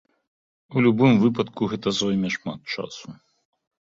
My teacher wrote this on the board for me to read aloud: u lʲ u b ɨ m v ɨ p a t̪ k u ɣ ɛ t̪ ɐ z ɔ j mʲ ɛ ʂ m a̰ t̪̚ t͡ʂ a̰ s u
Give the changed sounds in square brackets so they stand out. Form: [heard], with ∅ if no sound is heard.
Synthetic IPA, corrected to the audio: u lʲ u b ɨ m v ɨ p [ɐ] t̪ k u ɣ ɛ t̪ ɐ z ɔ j mʲ ɛ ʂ m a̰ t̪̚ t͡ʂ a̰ s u